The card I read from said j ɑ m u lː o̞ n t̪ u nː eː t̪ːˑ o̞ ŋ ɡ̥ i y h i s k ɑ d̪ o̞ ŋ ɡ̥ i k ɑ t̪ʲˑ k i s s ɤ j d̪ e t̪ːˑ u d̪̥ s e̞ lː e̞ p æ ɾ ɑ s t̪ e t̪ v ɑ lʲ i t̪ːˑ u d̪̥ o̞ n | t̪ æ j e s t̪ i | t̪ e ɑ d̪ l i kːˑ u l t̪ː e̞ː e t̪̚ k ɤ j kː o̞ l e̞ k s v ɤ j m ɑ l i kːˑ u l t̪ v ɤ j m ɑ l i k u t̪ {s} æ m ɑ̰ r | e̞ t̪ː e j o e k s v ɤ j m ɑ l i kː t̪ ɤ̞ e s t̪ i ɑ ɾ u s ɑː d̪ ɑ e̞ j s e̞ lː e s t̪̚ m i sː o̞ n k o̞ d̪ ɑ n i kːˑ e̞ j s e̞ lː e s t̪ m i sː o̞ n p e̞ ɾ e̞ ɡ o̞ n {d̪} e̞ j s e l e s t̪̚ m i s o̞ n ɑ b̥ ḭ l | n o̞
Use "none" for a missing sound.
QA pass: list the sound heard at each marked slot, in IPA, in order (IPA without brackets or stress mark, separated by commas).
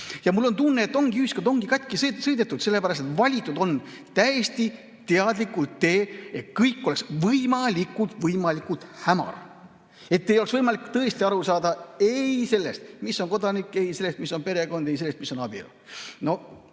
h, d̪